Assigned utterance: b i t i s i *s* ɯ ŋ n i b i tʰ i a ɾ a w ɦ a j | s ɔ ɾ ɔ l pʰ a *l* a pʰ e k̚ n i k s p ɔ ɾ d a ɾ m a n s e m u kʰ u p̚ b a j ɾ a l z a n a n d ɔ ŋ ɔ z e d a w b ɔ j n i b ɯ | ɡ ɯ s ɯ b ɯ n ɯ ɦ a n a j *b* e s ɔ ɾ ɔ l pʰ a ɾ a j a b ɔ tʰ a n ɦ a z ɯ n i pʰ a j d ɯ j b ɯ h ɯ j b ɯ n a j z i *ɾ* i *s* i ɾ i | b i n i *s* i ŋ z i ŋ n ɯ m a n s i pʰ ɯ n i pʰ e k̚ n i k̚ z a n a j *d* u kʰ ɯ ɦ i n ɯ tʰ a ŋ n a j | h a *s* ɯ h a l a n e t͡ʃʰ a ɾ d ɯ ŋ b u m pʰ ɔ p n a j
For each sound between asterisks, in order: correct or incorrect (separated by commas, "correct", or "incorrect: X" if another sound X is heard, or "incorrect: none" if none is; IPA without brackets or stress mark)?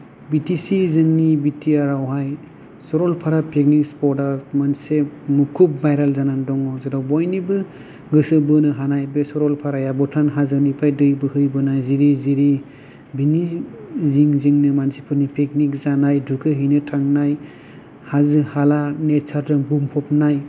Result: incorrect: z, incorrect: ɾ, correct, correct, incorrect: z, incorrect: z, correct, incorrect: z